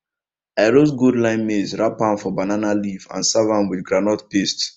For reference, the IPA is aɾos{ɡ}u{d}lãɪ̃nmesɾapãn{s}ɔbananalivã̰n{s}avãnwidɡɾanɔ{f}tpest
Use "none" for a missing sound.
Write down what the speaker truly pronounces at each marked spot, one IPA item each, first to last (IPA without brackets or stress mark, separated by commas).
ɡ, d, f, s, none